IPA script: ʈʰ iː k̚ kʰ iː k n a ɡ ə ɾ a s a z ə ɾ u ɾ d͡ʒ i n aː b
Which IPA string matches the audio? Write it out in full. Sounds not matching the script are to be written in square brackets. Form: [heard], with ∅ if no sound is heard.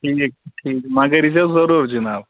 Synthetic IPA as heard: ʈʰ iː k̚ [ʈʰ] iː k [m] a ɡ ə ɾ [i] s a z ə ɾ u ɾ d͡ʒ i n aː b